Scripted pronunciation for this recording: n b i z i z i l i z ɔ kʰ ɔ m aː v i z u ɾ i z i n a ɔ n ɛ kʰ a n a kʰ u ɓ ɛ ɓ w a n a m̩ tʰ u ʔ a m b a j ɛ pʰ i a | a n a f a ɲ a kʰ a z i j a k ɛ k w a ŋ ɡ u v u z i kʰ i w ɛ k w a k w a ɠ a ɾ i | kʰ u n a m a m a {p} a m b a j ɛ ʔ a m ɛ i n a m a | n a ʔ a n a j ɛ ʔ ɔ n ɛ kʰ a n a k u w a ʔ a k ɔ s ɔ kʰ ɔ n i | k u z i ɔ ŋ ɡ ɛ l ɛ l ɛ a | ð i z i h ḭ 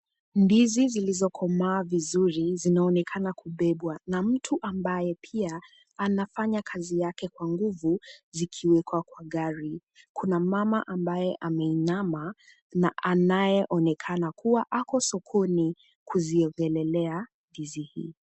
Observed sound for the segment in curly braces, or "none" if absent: ʔ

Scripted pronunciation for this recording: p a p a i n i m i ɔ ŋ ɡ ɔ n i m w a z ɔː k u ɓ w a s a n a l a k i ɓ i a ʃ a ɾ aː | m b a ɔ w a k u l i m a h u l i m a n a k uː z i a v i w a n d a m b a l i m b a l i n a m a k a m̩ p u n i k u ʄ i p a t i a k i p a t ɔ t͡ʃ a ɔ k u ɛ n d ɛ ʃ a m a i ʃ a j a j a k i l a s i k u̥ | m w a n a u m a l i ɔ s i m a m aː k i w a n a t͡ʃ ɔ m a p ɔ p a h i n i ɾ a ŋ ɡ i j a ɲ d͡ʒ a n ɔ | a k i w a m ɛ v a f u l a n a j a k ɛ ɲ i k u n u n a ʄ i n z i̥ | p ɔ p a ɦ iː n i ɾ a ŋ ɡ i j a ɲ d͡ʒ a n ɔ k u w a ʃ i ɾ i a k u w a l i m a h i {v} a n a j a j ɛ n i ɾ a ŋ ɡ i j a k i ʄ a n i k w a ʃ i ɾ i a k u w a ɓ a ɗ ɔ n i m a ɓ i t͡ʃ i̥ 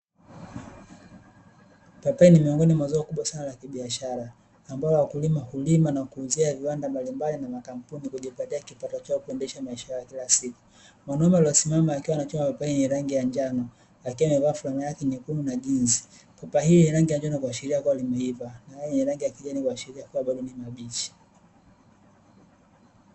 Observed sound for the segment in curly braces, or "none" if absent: v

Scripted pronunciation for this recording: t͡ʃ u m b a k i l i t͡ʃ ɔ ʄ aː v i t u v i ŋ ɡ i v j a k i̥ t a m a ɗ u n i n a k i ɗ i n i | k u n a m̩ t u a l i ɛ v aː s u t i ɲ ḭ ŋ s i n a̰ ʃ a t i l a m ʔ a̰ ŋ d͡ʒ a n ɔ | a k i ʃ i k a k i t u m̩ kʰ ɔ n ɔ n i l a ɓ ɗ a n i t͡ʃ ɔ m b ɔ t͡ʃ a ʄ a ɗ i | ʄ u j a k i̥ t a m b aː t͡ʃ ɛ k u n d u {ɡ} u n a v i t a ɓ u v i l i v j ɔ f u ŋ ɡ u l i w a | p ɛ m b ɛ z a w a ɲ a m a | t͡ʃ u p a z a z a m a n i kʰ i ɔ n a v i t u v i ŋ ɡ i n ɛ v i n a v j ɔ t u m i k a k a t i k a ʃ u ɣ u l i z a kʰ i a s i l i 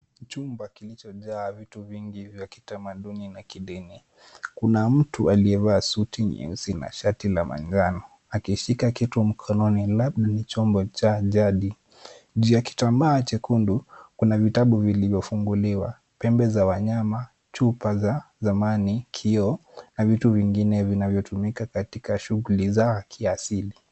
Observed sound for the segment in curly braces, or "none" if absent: k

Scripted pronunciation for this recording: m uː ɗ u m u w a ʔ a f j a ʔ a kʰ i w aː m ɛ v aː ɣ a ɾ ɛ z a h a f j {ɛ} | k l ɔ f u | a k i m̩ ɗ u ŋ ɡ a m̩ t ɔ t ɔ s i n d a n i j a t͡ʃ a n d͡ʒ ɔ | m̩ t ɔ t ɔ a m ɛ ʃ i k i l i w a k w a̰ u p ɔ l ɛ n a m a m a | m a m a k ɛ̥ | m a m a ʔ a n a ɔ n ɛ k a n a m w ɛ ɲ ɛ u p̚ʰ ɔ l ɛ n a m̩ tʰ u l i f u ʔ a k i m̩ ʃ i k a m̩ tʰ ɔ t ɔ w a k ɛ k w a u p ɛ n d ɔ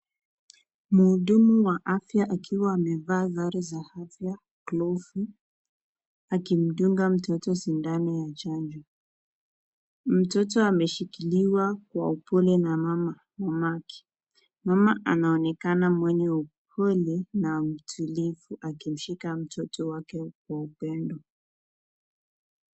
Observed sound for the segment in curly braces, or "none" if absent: a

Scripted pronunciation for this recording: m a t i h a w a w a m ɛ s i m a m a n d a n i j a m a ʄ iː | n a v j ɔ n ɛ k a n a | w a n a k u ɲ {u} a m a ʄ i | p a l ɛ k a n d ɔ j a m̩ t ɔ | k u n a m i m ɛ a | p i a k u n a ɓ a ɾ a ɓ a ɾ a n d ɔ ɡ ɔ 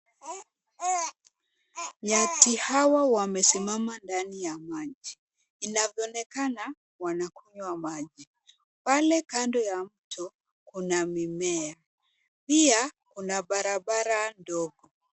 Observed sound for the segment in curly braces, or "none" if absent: w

